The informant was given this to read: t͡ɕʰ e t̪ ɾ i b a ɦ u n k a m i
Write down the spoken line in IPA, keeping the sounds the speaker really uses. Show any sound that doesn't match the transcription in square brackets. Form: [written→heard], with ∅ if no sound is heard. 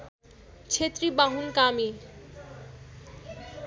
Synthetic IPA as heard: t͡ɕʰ e t̪ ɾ i b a ɦ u n k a m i